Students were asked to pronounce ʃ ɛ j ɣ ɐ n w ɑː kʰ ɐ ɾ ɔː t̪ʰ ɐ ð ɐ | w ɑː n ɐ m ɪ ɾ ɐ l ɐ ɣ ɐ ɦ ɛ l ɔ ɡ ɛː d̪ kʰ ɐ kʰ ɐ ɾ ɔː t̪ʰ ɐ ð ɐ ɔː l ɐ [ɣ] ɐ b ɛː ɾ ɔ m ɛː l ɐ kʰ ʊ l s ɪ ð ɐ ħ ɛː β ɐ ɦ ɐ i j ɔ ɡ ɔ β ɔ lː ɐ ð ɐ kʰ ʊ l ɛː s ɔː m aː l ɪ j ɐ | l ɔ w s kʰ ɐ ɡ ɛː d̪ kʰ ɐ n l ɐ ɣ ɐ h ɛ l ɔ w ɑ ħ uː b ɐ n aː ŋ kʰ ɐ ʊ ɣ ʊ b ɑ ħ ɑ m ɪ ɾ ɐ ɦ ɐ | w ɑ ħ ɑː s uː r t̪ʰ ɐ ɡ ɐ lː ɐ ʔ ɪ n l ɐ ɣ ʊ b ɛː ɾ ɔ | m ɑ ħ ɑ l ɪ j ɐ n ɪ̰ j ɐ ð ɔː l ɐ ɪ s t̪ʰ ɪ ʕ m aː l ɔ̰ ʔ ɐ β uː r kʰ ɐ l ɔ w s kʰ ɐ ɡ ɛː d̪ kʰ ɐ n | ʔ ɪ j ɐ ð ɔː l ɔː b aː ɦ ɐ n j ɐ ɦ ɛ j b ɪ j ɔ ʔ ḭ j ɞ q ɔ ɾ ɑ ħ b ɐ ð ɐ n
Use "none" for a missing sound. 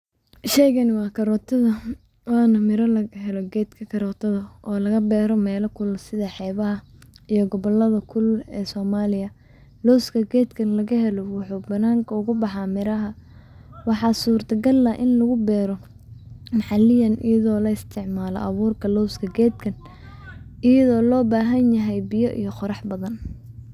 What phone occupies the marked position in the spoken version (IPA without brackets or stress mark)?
ɣ